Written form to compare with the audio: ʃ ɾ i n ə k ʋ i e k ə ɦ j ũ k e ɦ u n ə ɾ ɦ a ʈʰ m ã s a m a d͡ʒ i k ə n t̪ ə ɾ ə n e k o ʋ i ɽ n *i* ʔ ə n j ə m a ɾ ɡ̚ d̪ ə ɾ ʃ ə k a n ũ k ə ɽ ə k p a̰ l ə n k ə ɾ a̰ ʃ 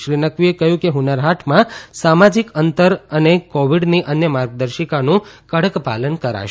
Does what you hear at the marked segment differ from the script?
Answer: no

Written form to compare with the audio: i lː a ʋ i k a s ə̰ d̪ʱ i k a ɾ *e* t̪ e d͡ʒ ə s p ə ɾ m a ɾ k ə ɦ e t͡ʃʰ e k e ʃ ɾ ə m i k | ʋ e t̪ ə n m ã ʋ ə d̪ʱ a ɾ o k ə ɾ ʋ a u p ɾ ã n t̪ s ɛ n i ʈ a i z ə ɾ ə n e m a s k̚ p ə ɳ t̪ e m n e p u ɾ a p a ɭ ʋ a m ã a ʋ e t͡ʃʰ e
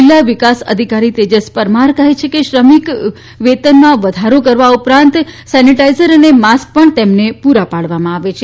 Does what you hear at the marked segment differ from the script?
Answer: yes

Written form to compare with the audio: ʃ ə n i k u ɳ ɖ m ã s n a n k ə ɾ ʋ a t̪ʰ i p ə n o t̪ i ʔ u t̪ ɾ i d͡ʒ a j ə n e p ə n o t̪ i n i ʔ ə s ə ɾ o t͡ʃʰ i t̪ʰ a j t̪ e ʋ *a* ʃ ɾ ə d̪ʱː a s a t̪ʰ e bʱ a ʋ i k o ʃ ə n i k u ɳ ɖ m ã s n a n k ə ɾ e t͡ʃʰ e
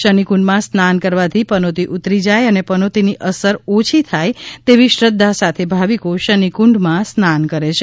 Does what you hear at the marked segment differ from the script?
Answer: yes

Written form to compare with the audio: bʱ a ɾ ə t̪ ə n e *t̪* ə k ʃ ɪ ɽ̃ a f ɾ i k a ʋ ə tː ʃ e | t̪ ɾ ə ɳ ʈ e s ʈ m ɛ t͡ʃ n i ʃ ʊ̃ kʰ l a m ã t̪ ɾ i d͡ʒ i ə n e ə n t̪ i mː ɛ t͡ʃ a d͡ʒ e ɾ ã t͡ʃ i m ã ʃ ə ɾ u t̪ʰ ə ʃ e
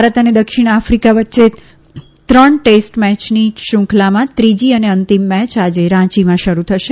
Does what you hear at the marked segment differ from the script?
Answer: yes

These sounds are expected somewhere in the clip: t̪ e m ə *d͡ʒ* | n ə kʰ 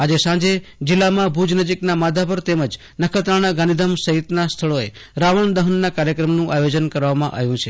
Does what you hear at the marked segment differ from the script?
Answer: no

